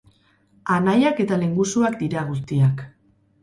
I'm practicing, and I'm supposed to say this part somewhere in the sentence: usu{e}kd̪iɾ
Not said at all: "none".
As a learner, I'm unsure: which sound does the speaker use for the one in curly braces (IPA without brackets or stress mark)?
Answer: a